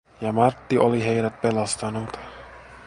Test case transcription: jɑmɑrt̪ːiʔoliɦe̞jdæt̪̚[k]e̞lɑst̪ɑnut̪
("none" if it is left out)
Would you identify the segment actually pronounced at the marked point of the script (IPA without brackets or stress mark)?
p